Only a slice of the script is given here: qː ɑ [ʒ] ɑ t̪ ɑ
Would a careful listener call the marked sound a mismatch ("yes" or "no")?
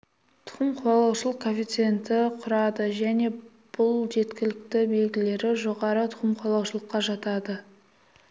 no